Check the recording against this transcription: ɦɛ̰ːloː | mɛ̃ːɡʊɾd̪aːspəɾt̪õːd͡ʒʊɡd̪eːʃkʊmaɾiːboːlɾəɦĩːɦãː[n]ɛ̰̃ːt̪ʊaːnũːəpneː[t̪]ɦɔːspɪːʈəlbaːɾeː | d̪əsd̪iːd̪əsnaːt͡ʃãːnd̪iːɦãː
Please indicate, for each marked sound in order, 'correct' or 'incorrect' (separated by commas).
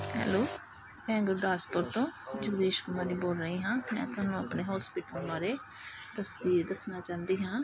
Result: incorrect, incorrect